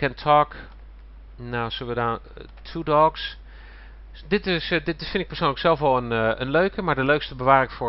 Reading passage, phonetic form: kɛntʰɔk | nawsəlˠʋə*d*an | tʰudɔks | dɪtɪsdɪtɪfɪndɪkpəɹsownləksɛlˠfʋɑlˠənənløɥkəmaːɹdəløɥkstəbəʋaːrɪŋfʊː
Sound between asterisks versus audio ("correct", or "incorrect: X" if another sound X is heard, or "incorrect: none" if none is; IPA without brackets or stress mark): correct